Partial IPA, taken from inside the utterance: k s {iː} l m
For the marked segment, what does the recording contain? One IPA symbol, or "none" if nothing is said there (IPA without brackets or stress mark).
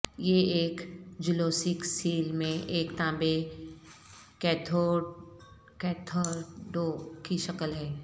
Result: iː